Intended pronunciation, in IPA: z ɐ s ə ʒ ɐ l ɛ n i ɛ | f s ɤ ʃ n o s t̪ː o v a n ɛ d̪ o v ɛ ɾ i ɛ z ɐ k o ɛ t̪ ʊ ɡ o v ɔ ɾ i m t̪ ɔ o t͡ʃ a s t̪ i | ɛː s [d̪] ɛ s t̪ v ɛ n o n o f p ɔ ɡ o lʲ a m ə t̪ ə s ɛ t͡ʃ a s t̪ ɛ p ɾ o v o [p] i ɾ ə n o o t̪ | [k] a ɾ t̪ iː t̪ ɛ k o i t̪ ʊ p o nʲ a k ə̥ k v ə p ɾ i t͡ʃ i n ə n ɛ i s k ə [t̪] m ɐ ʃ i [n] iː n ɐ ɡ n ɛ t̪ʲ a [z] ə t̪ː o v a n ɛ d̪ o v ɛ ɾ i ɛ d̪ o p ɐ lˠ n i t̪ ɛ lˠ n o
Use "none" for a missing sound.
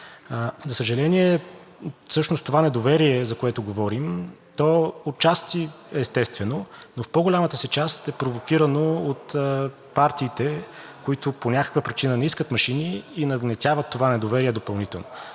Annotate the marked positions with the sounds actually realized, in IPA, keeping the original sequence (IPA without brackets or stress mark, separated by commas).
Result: t̪, k, p, t̪, n, v